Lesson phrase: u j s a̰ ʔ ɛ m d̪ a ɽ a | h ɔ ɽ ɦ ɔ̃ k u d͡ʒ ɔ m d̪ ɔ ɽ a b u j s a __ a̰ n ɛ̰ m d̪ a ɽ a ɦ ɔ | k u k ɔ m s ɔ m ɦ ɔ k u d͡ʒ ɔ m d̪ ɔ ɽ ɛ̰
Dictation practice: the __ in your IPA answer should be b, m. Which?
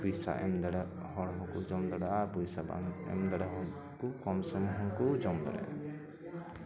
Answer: b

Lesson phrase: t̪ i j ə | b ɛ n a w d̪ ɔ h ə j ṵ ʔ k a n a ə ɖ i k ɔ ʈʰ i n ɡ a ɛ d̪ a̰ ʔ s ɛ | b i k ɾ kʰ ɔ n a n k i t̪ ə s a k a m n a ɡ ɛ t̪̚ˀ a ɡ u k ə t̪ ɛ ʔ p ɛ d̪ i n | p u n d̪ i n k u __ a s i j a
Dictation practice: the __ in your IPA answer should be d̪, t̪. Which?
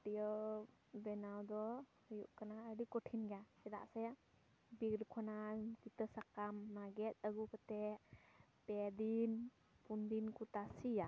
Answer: t̪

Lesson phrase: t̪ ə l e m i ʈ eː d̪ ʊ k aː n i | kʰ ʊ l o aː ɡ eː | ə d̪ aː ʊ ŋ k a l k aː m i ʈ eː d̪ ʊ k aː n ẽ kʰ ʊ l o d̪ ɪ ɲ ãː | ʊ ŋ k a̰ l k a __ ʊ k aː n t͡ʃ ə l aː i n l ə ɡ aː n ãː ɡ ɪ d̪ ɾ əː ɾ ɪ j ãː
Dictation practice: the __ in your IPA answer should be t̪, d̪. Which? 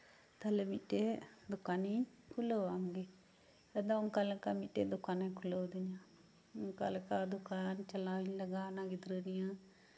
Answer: d̪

